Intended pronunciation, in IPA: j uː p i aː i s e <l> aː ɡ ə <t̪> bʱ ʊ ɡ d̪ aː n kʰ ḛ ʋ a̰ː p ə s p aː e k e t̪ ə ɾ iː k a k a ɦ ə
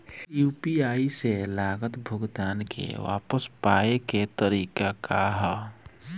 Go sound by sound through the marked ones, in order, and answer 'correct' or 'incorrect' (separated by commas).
correct, correct